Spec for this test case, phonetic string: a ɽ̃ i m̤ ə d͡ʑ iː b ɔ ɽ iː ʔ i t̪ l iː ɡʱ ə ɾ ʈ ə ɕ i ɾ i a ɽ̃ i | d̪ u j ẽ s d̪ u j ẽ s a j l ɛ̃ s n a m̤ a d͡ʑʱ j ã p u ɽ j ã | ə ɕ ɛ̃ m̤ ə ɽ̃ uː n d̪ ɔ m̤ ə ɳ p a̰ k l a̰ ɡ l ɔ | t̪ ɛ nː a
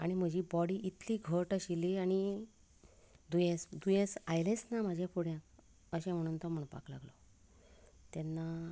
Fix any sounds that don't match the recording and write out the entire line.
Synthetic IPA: a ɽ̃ i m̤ ə d͡ʑ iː b ɔ ɽ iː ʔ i t̪ l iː ɡʱ ə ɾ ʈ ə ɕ i l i a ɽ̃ i | d̪ u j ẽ s d̪ u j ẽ s a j l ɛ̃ s n a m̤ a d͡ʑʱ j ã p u ɽ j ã | ə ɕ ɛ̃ m̤ ə ɽ̃ uː n t̪ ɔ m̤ ə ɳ p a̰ k l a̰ ɡ l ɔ | t̪ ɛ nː a

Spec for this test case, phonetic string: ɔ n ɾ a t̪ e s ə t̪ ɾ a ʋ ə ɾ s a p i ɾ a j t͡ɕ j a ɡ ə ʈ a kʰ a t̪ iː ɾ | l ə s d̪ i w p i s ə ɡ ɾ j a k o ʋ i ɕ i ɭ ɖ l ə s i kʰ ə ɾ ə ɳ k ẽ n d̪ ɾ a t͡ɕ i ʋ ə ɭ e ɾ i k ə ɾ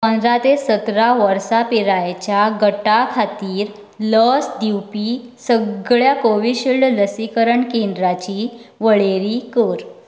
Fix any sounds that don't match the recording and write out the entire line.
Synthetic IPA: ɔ n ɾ a t̪ e s ə t̪ ɾ a ʋ ə ɾ s a p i ɾ a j t͡ɕ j a ɡ ə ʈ a kʰ a t̪ iː ɾ | l ə s d̪ i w p i s ə ɡ ɭ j a k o ʋ i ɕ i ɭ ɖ l ə s i k ə ɾ ə ɳ k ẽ n d̪ ɾ a t͡ɕ i ʋ ə ɭ e ɾ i k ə ɾ

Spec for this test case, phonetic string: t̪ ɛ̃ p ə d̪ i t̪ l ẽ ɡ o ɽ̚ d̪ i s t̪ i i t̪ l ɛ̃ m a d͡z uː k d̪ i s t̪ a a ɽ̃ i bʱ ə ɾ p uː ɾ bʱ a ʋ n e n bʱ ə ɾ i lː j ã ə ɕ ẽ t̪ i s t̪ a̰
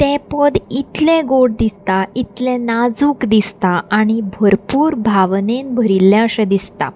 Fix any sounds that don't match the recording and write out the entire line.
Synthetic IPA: t̪ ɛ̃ p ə d̪ i t̪ l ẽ ɡ o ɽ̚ d̪ i s t̪ a i t̪ l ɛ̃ n a d͡z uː k d̪ i s t̪ a a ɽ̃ i bʱ ə ɾ p uː ɾ bʱ a ʋ n e n bʱ ə ɾ i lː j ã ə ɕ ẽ d̪ i s t̪ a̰

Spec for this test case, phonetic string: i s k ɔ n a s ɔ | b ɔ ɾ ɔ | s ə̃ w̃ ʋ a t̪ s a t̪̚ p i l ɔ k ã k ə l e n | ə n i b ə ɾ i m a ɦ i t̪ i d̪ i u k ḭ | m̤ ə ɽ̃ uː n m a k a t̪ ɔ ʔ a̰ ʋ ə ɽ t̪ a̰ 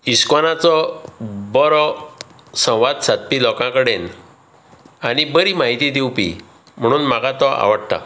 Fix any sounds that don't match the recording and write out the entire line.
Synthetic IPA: i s k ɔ n a t͡s ɔ | b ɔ ɾ ɔ | s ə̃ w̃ ʋ a d̪ s a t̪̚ p i l ɔ k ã k ə ɽ e n | a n i b ə ɾ i m a ɦ i t̪ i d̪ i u p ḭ | m̤ ə ɽ̃ uː n m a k a t̪ ɔ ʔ a̰ ʋ ə ɽ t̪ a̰

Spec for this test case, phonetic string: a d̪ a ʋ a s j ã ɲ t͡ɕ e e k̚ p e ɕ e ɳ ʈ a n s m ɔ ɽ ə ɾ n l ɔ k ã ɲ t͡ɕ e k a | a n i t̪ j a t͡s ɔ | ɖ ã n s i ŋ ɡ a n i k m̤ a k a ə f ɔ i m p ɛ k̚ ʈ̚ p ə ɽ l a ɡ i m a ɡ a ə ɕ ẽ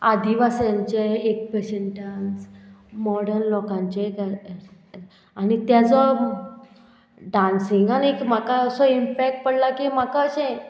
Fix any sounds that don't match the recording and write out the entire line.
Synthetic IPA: a d̪ i ʋ a s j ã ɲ t͡ɕ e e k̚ p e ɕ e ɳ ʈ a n s m ɔ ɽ ə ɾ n l ɔ k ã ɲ t͡ɕ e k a | a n i t̪ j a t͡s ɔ | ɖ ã n s i ŋ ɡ a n i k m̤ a k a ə s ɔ i m p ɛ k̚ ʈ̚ p ə ɽ l a k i m a k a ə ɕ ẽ

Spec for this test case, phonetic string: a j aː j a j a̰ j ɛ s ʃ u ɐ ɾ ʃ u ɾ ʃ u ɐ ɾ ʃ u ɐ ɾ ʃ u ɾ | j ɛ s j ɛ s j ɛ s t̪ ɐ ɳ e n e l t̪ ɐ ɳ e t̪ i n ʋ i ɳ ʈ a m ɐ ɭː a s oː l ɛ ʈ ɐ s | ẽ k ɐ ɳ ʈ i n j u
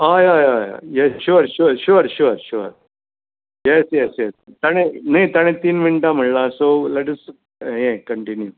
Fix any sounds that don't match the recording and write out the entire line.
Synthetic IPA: a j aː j a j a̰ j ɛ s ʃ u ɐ ɾ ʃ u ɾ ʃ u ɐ ɾ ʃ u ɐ ɾ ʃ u ɾ | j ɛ s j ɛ s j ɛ s t̪ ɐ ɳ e n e t̪ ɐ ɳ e t̪ i n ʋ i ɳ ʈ a m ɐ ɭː a s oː l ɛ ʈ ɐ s | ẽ k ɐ ɳ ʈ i n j u

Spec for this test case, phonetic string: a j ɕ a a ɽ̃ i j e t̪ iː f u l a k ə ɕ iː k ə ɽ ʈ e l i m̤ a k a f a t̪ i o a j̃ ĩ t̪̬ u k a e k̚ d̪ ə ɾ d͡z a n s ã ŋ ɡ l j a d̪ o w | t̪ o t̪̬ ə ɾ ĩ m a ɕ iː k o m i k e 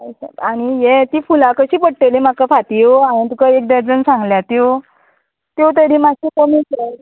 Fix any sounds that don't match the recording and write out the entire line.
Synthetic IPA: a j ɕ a a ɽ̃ i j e t̪ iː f u l a k ə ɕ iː p ə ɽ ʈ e l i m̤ a k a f a t̪ i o a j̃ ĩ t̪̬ u k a e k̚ d̪ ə ɾ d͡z ə n s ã ŋ ɡ l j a t̪ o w | t̪ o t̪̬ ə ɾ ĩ m a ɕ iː k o m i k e

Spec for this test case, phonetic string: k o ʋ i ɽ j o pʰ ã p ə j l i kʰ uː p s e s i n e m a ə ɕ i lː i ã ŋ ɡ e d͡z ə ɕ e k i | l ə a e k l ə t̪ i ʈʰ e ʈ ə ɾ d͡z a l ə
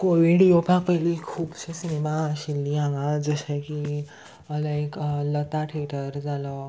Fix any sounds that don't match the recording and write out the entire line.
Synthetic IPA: k o ʋ i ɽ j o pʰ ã p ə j l i kʰ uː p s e s i n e m a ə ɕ i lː i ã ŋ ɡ a d͡z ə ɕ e k i | l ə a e k l ə t̪ a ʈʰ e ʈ ə ɾ d͡z a l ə

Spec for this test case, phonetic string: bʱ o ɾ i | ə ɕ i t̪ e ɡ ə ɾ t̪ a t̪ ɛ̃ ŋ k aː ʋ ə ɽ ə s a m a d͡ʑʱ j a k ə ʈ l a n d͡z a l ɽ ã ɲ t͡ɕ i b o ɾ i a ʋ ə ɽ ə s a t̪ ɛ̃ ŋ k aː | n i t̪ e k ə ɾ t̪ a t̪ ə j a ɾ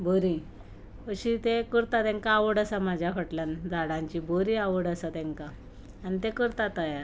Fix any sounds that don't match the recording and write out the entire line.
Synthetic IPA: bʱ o ɾ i | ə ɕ i t̪ e k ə ɾ t̪ a t̪ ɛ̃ ŋ k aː ʋ ə ɽ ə s a m a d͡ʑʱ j a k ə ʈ l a n d͡z a ɽ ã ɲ t͡ɕ i b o ɾ i a ʋ ə ɽ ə s a t̪ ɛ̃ ŋ k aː | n i t̪ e k ə ɾ t̪ a t̪ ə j a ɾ

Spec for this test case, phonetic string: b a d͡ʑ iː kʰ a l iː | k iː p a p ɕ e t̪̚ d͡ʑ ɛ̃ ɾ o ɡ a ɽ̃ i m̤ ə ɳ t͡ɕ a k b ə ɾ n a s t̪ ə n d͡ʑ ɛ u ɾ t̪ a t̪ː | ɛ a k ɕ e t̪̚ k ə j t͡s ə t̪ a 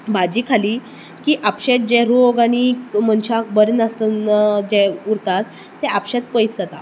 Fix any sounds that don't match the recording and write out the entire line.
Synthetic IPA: b a d͡ʑ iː kʰ a l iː | k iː ʔ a p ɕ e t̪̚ d͡ʑ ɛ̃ ɾ o ɡ a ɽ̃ i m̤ ə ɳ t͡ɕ a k b ə ɾ n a s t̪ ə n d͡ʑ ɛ u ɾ t̪ a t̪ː | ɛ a p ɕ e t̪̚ p ə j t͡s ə t̪ a

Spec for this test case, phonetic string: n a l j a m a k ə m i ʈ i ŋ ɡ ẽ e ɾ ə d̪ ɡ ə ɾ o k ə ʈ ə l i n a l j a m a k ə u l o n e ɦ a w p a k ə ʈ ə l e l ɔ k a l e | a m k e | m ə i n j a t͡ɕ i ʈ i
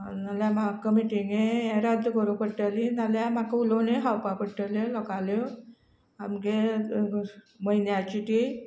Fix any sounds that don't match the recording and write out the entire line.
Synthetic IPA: n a l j a m a k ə m i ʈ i ŋ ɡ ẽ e ɾ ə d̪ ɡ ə ɾ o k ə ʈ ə l i n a l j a m a k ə u l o n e ɦ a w p a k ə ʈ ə l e l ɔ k a l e | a m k e | m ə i n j a t͡ɕ i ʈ i

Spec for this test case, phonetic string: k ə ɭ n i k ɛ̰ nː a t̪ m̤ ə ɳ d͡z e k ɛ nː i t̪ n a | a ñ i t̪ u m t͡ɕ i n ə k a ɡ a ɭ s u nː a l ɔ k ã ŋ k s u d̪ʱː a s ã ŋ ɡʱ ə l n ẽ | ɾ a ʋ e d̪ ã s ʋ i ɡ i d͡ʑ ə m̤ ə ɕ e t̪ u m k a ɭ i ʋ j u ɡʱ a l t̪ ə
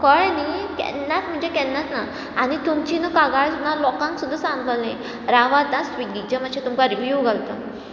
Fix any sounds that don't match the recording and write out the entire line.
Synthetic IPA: k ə ɭ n i k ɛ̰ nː a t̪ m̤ ə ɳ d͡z e k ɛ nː a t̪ n a | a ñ i t̪ u m t͡ɕ i n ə k a ɡ a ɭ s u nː a l ɔ k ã ŋ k s u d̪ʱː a s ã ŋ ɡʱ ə l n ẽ | ɾ a ʋ a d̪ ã s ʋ i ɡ i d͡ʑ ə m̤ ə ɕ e t̪ u m k a ɾ i ʋ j u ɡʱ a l t̪ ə

